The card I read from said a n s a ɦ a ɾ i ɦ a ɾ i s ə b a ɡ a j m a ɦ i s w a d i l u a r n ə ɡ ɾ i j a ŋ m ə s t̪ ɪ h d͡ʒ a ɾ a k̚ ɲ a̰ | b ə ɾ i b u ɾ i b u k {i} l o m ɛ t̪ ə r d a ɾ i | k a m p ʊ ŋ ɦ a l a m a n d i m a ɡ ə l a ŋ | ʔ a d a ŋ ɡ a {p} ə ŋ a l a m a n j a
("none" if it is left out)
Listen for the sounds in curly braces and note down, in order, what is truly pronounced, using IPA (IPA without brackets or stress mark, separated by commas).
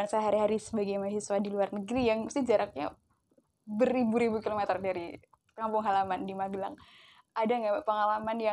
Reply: i, p